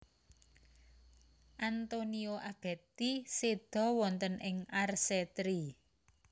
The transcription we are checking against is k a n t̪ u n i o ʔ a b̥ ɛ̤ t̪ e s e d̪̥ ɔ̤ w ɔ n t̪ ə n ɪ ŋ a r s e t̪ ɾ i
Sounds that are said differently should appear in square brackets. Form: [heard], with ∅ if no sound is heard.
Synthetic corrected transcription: [ʔ] a n t̪ [o] n i o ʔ a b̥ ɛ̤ t̪ [i] s e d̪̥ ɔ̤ w ɔ n t̪ ə n ɪ ŋ a r s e t̪ ɾ i